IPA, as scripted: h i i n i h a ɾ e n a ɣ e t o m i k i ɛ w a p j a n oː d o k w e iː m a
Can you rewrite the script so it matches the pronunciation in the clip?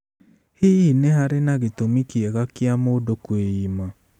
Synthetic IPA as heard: h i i n e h a ɾ e n a ɣ e t o m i k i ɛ ɣ a k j a m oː d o k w e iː m a